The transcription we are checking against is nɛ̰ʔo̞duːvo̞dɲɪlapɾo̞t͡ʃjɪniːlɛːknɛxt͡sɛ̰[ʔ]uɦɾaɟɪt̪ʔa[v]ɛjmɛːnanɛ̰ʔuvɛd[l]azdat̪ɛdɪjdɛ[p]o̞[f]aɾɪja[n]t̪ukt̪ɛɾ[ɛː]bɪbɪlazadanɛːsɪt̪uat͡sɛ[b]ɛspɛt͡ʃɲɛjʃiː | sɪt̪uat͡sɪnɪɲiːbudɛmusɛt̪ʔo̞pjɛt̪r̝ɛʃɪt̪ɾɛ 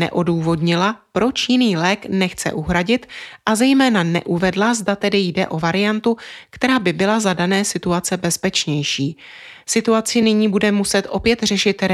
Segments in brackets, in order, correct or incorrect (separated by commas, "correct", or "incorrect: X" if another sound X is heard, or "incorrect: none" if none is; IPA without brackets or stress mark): correct, incorrect: z, correct, incorrect: ʔ, incorrect: v, correct, incorrect: aː, correct